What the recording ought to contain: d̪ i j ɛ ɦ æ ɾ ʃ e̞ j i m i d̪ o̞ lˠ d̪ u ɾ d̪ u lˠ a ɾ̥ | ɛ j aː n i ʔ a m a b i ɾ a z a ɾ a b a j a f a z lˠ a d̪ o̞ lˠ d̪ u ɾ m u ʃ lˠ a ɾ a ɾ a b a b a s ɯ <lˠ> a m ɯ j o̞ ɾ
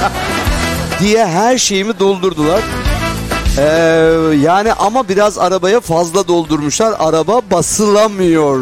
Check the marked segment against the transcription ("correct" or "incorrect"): correct